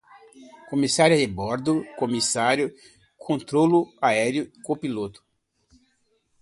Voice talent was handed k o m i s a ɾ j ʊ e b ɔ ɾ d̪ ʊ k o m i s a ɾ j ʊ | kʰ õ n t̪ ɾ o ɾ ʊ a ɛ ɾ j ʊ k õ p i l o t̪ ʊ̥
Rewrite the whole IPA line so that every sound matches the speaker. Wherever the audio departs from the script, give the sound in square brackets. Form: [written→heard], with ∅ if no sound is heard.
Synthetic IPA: k o m i s a ɾ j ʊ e b ɔ ɾ d̪ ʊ k o m i s a ɾ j ʊ | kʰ õ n t̪ ɾ o [ɾ→l] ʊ a ɛ ɾ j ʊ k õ p i l o t̪ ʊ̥